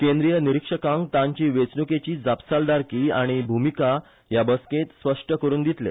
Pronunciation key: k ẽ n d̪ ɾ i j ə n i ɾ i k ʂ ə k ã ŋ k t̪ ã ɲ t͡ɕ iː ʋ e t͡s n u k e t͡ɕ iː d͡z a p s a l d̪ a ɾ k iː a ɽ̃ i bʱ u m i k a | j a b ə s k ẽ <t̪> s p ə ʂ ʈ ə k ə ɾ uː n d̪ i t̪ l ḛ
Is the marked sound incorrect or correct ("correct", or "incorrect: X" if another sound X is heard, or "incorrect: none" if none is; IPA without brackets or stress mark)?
correct